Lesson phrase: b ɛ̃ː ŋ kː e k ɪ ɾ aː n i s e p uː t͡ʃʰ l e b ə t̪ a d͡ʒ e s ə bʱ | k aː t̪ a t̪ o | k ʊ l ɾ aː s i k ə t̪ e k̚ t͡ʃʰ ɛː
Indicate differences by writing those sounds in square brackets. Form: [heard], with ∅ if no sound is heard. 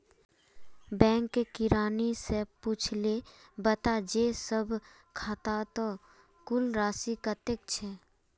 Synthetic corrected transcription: b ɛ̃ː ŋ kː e k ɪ ɾ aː n i s e p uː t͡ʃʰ l e b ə t̪ a d͡ʒ e s ə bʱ | [kʰ] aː t̪ a t̪ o | k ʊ l ɾ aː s i k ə t̪ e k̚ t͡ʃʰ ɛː